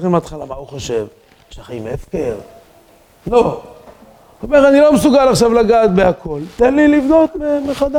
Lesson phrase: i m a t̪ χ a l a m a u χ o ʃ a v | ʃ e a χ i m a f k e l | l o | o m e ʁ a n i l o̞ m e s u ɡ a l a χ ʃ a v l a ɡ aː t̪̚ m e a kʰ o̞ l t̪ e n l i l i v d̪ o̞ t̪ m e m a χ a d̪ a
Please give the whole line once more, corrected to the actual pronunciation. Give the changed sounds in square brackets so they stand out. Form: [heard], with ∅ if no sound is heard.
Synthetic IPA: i m a t̪ χ a l a m a u χ o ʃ [e] v | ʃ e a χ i m [e] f k e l | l o | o m e ʁ a n i l o̞ m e s u ɡ a l a χ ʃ a v l a ɡ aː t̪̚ [b] e a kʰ o̞ l t̪ e n l i l i v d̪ o̞ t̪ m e m [e] χ a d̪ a